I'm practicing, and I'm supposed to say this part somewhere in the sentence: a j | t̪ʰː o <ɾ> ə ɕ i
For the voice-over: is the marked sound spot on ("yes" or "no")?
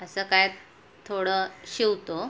no